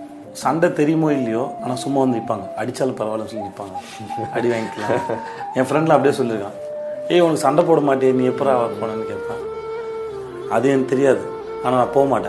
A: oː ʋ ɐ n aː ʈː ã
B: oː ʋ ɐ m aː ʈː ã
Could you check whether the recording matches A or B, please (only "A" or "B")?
B